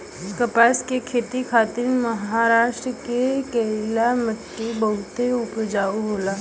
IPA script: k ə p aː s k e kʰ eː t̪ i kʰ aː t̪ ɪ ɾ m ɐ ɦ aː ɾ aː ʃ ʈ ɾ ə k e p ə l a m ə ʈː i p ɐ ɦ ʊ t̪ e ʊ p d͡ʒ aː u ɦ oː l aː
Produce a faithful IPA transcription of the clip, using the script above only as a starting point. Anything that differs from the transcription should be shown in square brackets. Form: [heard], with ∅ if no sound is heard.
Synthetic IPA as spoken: k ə p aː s k e kʰ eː t̪ i kʰ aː t̪ ɪ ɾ m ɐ ɦ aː ɾ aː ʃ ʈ ɾ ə k e [k] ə l a m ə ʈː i [b] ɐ ɦ ʊ t̪ e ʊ p d͡ʒ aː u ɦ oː l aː